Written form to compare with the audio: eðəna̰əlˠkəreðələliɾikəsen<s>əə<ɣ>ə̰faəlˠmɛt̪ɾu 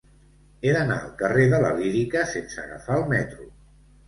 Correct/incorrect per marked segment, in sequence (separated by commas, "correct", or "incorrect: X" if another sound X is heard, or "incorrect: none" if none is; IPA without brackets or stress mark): correct, correct